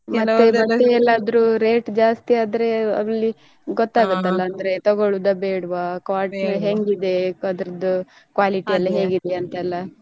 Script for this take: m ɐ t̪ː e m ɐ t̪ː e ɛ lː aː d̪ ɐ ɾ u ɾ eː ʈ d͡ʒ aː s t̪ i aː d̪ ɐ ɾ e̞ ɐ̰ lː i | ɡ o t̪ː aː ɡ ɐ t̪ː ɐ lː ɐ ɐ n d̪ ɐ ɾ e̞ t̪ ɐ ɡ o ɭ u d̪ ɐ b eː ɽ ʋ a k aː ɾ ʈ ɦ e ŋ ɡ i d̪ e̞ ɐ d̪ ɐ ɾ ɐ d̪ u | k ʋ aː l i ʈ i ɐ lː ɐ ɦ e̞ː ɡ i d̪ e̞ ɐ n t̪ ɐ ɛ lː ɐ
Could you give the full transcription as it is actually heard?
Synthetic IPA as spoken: m ɐ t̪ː e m ɐ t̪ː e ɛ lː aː d̪ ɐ ɾ u ɾ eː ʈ d͡ʒ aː s t̪ i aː d̪ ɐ ɾ e̞ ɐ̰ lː i | ɡ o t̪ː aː ɡ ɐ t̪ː ɐ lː ɐ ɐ n d̪ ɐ ɾ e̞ t̪ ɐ ɡ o ɭ u d̪ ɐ b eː ɽ ʋ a k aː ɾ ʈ ɦ e ŋ ɡ i d̪ e̞ ɐ d̪ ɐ ɾ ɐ d̪ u | k ʋ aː l i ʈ i ɐ lː ɐ ɦ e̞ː ɡ i d̪ e̞ ɐ n t̪ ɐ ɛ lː ɐ